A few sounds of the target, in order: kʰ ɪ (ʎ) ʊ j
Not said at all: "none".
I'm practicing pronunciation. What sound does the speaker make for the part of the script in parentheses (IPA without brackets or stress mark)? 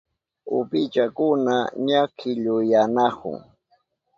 ʎ